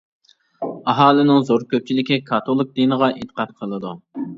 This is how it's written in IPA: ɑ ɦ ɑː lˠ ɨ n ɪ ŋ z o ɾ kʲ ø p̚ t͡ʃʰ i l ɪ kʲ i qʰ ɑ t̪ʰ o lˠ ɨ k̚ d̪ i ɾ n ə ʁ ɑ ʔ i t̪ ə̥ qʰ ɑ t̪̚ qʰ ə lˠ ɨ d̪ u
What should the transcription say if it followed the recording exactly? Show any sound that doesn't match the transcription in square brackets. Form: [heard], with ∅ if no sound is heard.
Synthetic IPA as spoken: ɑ ɦ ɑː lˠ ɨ n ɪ ŋ z o ɾ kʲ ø p̚ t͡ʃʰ i l ɪ kʲ i [kʰ] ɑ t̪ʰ o lˠ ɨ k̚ d̪ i [∅] n ə ʁ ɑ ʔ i t̪ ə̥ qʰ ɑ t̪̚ qʰ ə lˠ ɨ d̪ u